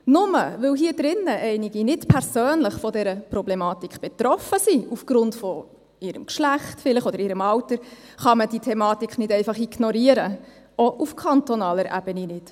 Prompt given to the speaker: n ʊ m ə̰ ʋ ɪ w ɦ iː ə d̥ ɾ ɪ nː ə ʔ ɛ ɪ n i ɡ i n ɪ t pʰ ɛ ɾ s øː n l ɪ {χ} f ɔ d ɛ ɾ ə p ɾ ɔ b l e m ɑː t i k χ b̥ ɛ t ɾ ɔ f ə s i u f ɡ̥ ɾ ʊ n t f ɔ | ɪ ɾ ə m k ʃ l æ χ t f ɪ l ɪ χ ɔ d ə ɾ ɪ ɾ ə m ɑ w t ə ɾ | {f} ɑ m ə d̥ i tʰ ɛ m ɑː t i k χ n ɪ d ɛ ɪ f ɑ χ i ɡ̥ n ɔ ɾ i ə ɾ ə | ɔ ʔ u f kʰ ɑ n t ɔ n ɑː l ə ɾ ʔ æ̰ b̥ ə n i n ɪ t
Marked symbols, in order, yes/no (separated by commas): yes, no